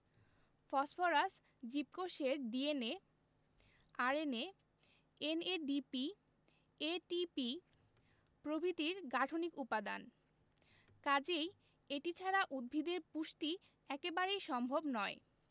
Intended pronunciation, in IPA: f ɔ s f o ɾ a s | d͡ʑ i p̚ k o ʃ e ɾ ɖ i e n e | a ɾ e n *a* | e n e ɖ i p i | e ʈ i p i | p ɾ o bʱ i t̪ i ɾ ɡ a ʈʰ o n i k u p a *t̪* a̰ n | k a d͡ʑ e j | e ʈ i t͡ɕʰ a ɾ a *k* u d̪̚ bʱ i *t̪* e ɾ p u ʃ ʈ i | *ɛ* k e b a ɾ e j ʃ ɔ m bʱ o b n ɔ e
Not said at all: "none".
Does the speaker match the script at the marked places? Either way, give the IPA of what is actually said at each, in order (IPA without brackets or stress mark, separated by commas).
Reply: e, d̪, ʔ, d̪, ɛ